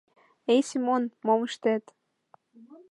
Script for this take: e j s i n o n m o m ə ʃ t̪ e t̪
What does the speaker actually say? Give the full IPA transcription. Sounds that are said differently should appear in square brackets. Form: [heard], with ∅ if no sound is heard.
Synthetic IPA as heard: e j s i [m] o n m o m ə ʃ t̪ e t̪

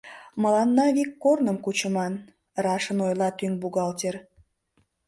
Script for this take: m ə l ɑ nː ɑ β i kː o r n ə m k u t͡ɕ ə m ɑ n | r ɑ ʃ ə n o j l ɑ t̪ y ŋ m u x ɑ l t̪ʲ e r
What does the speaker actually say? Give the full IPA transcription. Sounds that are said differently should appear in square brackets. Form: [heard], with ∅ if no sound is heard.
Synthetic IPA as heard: m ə l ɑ nː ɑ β i kː o r n ə m k u t͡ɕ ə m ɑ n | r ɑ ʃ ə n o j l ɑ t̪ y ŋ [b] u [ɣ] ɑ l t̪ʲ e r

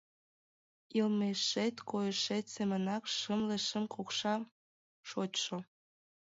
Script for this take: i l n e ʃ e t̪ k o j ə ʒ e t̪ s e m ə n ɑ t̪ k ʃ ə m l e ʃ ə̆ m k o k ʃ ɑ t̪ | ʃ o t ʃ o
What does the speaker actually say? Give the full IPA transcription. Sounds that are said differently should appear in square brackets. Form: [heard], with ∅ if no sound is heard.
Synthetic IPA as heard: i l [m] e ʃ e t̪ k o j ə [ʃ] e t̪ s e m ə n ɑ [∅] k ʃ ə m l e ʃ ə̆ m k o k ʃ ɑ [∅] | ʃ o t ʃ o

